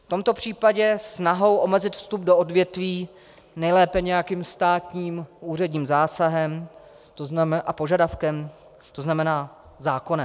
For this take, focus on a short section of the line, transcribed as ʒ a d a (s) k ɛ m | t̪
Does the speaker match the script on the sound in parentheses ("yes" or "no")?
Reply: no